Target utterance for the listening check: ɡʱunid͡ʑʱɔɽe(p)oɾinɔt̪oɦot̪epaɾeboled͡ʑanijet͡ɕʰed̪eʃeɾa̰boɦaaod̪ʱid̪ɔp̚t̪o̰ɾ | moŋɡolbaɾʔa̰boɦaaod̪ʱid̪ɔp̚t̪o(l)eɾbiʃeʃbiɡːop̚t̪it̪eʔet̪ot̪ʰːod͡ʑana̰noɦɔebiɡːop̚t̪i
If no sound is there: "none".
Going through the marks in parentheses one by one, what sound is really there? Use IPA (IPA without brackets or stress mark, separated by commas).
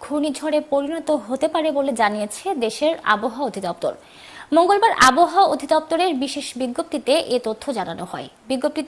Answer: p, ɾ